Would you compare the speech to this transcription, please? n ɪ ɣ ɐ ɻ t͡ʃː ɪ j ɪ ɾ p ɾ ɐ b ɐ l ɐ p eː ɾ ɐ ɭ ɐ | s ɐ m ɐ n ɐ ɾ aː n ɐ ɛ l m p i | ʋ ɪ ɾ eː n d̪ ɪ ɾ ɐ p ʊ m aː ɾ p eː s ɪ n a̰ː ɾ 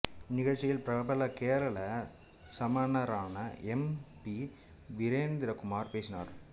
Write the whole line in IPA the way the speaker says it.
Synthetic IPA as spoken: n ɪ ɣ ɐ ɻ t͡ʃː ɪ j ɪ l p ɾ ɐ b ɐ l ɐ k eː ɾ ɐ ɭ ɐ | s ɐ m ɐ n ɐ ɾ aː n ɐ ɛ m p i | ʋ ɪ ɾ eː n d̪ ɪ ɾ ɐ k ʊ m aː ɾ p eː s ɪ n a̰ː ɾ